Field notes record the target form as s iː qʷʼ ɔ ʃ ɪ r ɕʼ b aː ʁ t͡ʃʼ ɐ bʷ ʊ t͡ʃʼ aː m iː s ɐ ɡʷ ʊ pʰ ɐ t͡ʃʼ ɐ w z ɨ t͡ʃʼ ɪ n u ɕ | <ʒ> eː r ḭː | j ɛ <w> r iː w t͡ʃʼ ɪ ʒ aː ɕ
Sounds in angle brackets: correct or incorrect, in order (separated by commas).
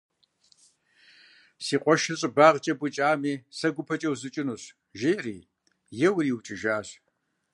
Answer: correct, correct